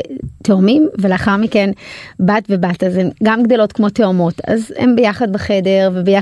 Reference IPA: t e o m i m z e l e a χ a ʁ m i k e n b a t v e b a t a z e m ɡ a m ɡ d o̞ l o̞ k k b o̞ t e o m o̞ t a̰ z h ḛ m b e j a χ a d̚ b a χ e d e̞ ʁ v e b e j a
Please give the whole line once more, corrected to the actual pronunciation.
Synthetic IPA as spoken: t e o m i m v e l e a χ a ʁ m i k e n b a t v e b a t a z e m ɡ a m ɡ d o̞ l o̞ t k m o̞ t e o m o̞ t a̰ z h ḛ m b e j a χ a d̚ b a χ e d e̞ ʁ v e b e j a